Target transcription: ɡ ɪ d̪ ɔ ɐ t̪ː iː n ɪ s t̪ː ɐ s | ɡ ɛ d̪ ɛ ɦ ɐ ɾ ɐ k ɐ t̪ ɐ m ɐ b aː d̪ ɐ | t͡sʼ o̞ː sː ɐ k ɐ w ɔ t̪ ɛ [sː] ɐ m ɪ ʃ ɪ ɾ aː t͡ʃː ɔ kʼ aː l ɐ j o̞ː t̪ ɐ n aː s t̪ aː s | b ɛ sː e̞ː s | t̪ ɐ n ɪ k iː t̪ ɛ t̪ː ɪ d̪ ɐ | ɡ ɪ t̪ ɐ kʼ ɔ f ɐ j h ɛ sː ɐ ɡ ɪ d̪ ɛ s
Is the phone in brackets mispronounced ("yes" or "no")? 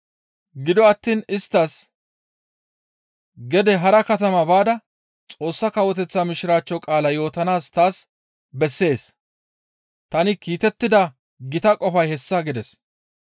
yes